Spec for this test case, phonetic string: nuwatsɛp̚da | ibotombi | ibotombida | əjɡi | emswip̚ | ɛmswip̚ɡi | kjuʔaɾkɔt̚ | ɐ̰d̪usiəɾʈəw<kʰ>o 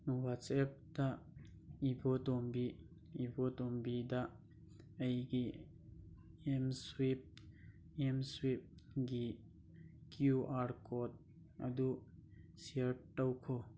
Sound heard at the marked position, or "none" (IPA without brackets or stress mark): kʰ